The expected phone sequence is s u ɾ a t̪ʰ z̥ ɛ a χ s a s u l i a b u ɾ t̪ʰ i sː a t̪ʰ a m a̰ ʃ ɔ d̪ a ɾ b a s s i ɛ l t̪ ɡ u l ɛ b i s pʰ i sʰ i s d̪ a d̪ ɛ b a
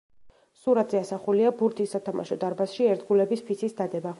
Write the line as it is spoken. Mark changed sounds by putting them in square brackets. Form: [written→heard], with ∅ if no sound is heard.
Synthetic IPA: s u ɾ a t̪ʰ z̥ ɛ a [χ→∅] s a [s→χ] u l i a b u ɾ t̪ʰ i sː a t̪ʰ a m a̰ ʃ ɔ d̪ a ɾ b a s [s→ʃ] i ɛ [l→ɾ] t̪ ɡ u l ɛ b i s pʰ i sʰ i s d̪ a d̪ ɛ b a